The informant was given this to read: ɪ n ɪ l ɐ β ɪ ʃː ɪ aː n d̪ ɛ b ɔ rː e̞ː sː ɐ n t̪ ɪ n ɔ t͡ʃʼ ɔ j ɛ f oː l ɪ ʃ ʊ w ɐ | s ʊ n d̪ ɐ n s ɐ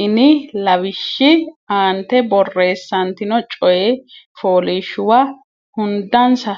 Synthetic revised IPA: ɪ n ɪ l ɐ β ɪ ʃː ɪ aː n t̪ ɛ b ɔ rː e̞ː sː ɐ n t̪ ɪ n ɔ t͡ʃʼ ɔ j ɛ f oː l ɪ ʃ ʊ w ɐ | h ʊ n d̪ ɐ n s ɐ